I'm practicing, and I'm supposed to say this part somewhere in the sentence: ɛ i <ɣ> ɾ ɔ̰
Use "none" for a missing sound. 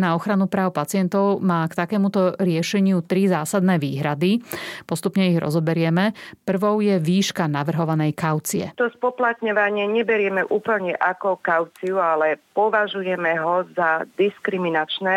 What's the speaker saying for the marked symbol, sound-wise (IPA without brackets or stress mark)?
ɣ